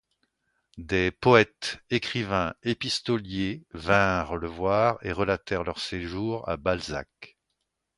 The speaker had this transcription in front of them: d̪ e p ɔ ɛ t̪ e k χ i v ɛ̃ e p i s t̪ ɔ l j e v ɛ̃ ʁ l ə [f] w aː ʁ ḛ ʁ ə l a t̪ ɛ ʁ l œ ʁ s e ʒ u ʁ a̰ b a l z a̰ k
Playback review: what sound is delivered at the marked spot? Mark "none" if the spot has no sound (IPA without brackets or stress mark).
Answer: v